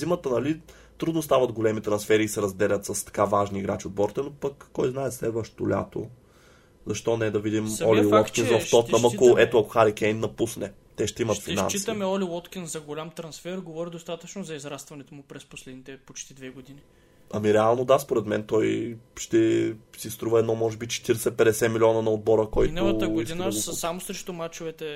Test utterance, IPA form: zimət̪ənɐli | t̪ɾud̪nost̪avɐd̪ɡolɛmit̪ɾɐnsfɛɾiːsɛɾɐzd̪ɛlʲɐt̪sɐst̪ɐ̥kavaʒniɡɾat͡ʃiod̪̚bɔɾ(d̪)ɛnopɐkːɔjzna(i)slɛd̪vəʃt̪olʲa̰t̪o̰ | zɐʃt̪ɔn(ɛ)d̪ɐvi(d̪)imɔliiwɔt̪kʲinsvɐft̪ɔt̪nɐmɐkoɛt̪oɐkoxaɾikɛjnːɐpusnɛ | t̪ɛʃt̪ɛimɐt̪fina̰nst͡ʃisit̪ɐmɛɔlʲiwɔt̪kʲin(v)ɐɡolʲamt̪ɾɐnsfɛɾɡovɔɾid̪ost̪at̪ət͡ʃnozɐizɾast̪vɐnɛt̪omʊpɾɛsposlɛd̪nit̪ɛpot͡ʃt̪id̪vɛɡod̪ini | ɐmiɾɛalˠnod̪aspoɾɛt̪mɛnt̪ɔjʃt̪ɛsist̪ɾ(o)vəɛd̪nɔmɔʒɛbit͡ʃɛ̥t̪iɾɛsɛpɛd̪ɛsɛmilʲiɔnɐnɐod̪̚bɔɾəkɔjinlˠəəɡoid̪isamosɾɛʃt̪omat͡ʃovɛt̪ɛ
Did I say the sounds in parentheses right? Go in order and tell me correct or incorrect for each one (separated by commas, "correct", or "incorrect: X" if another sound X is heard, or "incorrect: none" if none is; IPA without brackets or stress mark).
incorrect: t̪, incorrect: ɛ, correct, correct, incorrect: z, incorrect: u